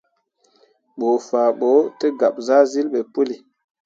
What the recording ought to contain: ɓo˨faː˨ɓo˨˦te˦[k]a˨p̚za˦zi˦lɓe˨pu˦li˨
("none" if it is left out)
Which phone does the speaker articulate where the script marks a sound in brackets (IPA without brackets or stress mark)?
ɡ